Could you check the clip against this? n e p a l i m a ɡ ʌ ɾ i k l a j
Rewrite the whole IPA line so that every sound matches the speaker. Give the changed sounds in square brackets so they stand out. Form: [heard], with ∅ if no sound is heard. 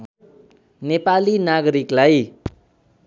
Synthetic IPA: n e p a l i [n] a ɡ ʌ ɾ i k l a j

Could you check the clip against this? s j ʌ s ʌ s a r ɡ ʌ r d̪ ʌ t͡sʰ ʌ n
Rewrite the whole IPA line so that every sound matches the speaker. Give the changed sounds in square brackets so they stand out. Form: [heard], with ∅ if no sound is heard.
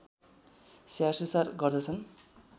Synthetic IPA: s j [a] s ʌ s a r ɡ ʌ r d̪ ʌ t͡sʰ ʌ n

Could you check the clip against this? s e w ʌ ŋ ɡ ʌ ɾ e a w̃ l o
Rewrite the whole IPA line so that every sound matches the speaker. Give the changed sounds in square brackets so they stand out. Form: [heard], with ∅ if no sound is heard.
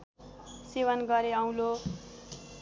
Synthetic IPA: s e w ʌ [n] ɡ ʌ ɾ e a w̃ l o

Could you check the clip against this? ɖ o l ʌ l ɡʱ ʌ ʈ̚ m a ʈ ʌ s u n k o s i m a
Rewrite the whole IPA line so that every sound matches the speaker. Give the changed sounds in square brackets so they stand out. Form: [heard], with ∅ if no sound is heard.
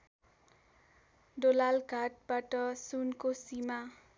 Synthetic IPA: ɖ o l [a] l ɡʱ [a] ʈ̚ [b] a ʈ ʌ s u n k o s i m a

